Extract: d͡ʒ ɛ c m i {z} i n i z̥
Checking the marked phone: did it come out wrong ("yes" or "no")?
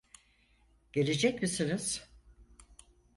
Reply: yes